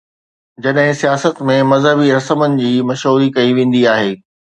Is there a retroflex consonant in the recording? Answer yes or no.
no